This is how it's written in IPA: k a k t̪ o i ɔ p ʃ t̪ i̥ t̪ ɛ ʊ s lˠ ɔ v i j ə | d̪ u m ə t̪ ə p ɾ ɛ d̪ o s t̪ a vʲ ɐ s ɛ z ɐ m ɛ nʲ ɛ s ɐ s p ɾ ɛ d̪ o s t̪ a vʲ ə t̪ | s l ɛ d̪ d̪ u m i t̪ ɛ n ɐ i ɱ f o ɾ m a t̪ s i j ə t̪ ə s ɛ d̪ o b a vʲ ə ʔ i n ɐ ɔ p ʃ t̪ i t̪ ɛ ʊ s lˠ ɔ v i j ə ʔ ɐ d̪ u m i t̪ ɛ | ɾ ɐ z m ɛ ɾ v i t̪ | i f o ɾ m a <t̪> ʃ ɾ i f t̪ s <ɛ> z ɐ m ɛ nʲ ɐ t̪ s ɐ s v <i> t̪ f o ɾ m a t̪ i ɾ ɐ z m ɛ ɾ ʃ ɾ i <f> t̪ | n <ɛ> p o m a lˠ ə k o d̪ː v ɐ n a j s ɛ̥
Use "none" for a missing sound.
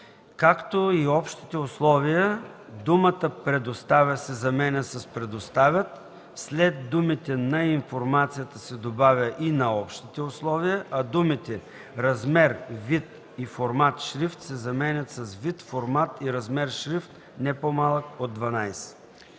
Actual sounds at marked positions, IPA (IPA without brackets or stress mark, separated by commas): t̪, ɛ, i, f, ɛ